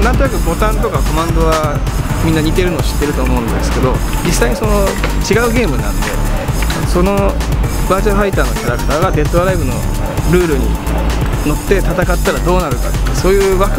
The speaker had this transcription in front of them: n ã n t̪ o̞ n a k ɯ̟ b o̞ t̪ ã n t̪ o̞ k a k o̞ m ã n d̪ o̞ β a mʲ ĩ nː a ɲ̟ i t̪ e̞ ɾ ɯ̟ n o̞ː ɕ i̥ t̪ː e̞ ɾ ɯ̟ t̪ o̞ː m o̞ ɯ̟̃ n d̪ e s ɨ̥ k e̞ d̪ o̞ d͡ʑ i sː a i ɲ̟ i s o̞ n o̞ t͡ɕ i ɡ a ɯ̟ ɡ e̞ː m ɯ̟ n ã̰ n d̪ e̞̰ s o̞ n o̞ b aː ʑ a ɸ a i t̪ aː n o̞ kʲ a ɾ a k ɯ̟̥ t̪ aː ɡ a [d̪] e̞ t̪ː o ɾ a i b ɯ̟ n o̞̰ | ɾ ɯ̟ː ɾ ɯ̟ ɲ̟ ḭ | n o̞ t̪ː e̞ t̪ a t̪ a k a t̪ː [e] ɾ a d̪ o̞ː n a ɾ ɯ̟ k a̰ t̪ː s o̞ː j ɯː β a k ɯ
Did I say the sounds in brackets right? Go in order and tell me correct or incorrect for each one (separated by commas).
correct, incorrect